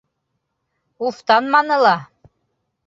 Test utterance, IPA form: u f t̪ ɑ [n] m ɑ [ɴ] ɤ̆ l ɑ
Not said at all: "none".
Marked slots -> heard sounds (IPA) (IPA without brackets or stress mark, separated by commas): n, n